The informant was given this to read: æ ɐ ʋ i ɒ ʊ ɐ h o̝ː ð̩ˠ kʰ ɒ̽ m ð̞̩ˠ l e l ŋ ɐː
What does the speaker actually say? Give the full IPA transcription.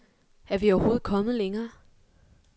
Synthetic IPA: æ ɐ ʋ i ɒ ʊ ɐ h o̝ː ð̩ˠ kʰ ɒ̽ m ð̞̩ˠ l e ŋ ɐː

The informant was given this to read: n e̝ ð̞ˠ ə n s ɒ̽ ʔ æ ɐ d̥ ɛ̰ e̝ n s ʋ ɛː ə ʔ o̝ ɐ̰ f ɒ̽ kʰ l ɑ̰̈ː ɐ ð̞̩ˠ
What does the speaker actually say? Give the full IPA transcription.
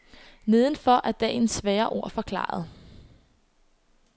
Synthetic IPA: n e̝ ð̞ˠ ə n f ɒ̽ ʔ æ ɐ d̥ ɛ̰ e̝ n s ʋ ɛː ɐ ʔ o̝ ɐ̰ f ɒ̽ kʰ l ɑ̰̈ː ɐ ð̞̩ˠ

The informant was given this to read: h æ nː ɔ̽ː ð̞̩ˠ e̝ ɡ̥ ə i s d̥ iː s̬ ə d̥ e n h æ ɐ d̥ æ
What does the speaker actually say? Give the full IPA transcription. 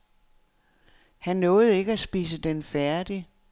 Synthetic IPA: h æ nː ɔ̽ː ð̞̩ˠ e̝ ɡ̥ ə æ s b̥ iː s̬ ə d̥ e n f æ ɐ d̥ i

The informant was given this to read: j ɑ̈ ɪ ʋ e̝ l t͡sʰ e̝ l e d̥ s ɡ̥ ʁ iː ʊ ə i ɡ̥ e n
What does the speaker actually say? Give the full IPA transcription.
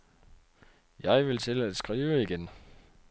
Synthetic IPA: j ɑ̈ ɪ ʋ e̝ l t͡sʰ e̝ l æ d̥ s ɡ̥ ʁ iː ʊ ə i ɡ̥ e n

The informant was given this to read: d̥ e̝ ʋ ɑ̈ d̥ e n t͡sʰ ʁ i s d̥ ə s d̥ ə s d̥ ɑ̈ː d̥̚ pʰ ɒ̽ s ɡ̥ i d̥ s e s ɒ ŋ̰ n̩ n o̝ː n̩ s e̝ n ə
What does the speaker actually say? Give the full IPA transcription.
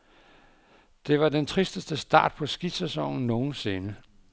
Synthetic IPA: d̥ e̝ ʋ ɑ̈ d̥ e n t͡sʰ ʁ i s d̥ ə s d̥ ə s d̥ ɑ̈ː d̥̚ pʰ ɒ̽ s ɡ̥ i d̥ s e s ɒ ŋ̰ n̩ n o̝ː n̩ s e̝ n ə

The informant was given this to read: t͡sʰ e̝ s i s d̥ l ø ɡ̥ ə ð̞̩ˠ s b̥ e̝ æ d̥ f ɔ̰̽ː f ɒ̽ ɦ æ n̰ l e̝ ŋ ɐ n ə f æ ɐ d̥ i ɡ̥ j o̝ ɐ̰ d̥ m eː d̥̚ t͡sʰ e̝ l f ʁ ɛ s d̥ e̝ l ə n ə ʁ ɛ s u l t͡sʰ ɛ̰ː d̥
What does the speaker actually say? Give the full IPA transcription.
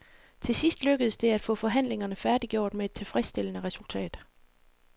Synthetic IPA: t͡sʰ e̝ s i s d̥ l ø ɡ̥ ə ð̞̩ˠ s d̥ e̝ æ d̥ f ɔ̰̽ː f ɒ̽ ɦ æ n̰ l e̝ ŋ ɐ n ə f æ ɐ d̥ i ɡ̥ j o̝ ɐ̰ d̥ m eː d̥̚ t͡sʰ e̝ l f ʁ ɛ s d̥ e̝ l ə n ə ʁ ɛ s u l t͡sʰ ɛ̰ː d̥

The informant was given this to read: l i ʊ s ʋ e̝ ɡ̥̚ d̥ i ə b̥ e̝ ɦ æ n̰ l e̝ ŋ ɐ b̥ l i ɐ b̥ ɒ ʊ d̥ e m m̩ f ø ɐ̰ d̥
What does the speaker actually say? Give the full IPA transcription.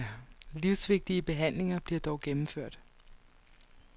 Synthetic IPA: l i ʊ s ʋ e̝ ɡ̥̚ d̥ i ə b̥ e̝ ɦ æ n̰ l e̝ ŋ ɐ b̥ l i ɐ d̥ ɒ ʊ ɡ̥ e m m̩ f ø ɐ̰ d̥

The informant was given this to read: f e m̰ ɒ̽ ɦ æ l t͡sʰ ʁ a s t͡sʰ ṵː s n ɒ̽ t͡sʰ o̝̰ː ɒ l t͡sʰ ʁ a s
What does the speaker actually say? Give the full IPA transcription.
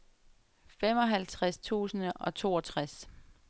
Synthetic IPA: f e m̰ ɒ̽ ɦ æ l t͡sʰ ʁ a s t͡sʰ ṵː s n ɒ̽ t͡sʰ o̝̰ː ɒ t͡sʰ ʁ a s

